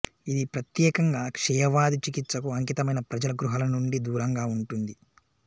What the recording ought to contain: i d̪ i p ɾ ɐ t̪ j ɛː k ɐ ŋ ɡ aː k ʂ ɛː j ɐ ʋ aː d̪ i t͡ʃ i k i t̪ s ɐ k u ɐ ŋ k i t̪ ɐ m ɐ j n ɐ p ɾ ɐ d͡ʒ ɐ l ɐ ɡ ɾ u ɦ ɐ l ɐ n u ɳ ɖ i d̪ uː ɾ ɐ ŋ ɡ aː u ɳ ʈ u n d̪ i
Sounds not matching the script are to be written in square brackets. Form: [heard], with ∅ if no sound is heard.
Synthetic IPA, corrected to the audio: i d̪ i p ɾ ɐ t̪ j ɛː k ɐ ŋ ɡ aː k ʂ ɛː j ɐ ʋ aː d̪ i t͡ʃ i k i t̪ s ɐ k u ɐ ŋ k i t̪ ɐ m ɐ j n ɐ p ɾ ɐ d͡ʒ ɐ l ɐ ɡ ɾ u ɦ ɐ l ɐ n u ɳ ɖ i d̪ uː ɾ ɐ ŋ ɡ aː u ɳ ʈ u n d̪ i